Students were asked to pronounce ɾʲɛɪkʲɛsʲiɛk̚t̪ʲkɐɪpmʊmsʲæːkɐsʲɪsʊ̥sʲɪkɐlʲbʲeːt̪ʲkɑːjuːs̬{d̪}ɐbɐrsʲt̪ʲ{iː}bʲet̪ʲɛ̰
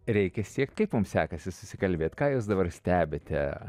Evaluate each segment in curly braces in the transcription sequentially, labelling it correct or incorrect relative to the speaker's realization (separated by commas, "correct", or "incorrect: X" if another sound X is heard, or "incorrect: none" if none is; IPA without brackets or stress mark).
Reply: correct, incorrect: æː